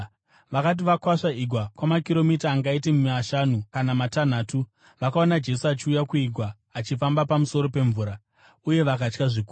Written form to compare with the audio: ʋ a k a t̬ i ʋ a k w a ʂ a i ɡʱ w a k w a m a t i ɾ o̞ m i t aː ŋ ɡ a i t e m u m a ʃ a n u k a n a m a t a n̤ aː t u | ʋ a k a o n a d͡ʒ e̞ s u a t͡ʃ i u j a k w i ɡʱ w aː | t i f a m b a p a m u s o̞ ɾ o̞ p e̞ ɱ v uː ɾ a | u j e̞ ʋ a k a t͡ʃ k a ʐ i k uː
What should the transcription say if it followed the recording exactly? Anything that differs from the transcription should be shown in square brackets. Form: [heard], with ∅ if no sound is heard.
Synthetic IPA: ʋ a k a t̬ i ʋ a k w a ʂ a i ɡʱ w a k w a m a [k] i ɾ o̞ m i t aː ŋ ɡ a i t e m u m a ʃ a n u k a n a m a t a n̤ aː t u | ʋ a k a o n a d͡ʒ e̞ s u a t͡ʃ i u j a k [u] i ɡʱ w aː | [t͡ʃ] i f a m b a p a m u s o̞ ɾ o̞ p e̞ ɱ v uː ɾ a | u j e̞ ʋ a k a t͡ʃ k a ʐ i k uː